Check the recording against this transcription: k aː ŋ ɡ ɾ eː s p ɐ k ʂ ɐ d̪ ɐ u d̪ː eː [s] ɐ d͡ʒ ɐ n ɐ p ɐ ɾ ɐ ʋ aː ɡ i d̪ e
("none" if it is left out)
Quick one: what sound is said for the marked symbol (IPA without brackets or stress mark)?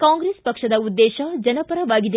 ʃ